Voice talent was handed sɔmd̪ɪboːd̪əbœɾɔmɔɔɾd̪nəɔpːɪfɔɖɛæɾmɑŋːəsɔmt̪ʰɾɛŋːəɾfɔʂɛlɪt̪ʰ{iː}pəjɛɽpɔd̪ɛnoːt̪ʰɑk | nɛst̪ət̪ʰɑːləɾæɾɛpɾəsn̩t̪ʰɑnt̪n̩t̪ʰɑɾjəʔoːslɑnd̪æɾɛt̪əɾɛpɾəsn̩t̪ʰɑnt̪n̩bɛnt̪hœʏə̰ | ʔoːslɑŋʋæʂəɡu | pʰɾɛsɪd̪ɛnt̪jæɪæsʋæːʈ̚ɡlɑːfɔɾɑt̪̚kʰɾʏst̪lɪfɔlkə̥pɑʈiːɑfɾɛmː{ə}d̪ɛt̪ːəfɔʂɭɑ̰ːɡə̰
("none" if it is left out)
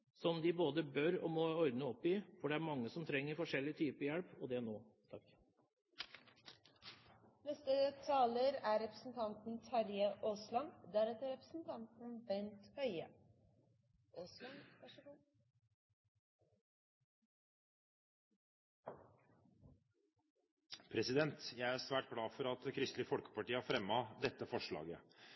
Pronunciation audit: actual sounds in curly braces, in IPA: yː, ɑ

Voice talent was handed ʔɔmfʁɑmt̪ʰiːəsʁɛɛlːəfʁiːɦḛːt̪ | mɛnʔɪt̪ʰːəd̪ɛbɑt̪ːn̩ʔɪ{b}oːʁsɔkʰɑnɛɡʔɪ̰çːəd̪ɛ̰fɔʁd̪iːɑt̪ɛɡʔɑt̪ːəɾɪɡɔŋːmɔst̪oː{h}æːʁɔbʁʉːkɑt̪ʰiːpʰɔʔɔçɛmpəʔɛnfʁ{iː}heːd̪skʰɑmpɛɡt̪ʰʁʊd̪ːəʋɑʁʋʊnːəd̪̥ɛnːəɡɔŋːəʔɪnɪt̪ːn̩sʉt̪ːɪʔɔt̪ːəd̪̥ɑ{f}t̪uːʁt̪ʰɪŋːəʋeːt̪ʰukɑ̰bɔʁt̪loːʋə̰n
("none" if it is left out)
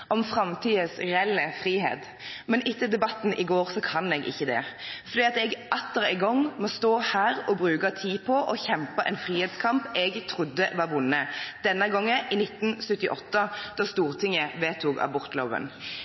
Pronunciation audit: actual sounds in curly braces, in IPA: ɡ, h, iː, s

